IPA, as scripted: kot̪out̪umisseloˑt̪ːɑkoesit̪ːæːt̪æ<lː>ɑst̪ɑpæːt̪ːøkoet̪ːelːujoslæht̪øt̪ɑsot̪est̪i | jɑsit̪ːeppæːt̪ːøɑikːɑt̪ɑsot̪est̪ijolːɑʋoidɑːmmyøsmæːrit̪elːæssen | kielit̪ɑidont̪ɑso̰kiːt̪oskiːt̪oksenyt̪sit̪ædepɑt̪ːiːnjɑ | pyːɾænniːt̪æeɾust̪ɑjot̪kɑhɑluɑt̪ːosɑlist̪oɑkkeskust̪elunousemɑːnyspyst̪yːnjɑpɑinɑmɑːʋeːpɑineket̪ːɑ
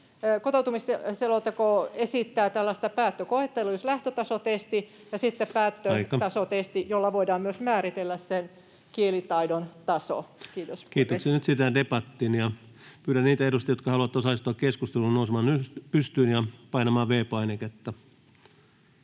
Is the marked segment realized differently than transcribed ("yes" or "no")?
no